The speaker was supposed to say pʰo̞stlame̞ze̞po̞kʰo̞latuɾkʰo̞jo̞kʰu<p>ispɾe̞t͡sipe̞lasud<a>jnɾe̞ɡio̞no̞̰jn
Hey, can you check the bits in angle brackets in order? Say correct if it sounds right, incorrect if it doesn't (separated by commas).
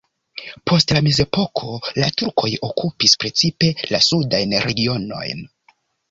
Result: correct, correct